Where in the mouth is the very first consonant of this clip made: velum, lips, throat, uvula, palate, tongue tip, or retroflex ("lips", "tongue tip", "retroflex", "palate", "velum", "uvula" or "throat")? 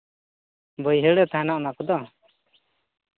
lips